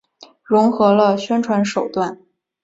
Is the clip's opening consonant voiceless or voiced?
voiced